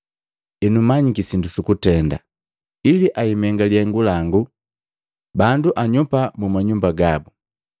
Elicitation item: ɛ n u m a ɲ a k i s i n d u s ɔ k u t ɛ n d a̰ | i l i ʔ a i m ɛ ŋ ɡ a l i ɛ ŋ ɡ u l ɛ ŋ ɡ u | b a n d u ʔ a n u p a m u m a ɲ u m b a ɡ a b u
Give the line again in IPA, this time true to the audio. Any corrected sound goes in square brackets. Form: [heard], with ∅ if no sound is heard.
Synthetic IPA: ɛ n u m a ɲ [i] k i s i n d u s [u] k u t ɛ n d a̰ | i l i ʔ a i m ɛ ŋ ɡ a l i ɛ ŋ ɡ u l [a] ŋ ɡ u | b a n d u ʔ a [ɲ] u p a m u m a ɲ u m b a ɡ a b u